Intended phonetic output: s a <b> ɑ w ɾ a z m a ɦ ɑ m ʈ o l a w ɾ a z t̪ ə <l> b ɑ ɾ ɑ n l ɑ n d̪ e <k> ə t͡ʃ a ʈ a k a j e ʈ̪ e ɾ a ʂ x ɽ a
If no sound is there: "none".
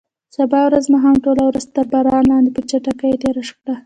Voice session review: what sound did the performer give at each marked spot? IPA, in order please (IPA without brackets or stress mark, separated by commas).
b, ɾ, p